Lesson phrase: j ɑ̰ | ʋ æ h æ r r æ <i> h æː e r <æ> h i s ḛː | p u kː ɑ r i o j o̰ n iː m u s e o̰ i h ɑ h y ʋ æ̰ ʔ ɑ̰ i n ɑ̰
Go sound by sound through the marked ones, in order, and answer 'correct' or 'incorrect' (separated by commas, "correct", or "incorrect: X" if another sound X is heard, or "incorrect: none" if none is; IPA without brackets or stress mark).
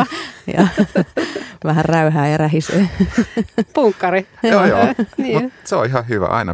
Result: incorrect: y, correct